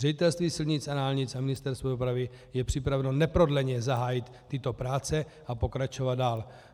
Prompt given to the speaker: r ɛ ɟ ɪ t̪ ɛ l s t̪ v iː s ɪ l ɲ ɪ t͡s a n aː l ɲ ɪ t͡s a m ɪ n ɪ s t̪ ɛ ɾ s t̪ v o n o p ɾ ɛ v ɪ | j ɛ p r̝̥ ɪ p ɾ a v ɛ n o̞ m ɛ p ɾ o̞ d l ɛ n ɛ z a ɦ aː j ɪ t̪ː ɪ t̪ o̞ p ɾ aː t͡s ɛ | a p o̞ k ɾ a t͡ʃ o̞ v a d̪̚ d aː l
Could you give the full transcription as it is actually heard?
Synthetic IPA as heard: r ɛ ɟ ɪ t̪ ɛ l s t̪ v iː s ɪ l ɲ ɪ t͡s a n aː l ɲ ɪ t͡s a m ɪ n ɪ s t̪ ɛ ɾ s t̪ v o d o p ɾ a v ɪ | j ɛ p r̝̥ ɪ p ɾ a v ɛ n o̞ n ɛ p ɾ o̞ d l ɛ ɲ ɛ z a ɦ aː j ɪ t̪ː ɪ t̪ o̞ p ɾ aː t͡s ɛ | a p o̞ k ɾ a t͡ʃ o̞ v a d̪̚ d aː l